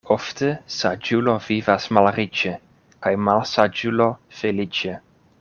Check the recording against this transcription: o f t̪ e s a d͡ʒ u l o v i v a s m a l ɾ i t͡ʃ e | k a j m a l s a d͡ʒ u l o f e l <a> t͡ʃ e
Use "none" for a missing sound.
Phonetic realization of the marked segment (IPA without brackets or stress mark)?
i